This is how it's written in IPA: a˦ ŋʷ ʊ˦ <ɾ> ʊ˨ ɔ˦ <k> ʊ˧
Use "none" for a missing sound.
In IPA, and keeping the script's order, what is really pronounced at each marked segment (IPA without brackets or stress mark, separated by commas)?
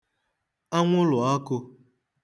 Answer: l, k